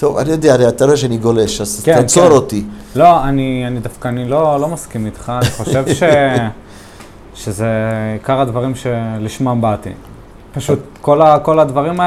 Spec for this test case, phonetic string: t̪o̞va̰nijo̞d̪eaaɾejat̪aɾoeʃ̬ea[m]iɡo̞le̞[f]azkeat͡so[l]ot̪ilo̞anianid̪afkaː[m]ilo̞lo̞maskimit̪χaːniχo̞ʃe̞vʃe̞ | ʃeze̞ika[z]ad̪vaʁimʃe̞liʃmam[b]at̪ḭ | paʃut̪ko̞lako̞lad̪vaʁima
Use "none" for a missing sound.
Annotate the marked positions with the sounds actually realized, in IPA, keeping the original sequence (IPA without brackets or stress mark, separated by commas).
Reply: n, ʃ, ɾ, n, ʁ, b